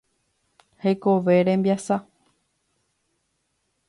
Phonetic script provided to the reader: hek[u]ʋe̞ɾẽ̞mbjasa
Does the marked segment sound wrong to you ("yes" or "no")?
yes